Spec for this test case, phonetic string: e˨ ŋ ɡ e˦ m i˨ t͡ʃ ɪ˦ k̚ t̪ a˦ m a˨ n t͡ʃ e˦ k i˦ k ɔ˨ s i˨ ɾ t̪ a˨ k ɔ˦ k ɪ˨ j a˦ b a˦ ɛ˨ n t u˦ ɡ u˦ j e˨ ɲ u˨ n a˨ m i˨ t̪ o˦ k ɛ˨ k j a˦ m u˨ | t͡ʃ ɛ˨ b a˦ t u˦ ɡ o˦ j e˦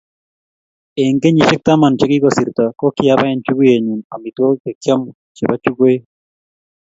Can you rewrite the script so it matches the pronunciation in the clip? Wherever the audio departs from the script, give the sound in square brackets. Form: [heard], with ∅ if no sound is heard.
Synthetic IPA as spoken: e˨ ŋ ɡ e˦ [ɲ] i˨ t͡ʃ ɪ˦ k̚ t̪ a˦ m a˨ n t͡ʃ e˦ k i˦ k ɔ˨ s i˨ ɾ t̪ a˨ k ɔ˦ k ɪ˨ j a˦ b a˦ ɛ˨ n [t͡ʃ] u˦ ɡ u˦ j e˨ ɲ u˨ n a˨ m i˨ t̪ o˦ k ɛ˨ k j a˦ m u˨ | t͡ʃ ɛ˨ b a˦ [t͡ʃ] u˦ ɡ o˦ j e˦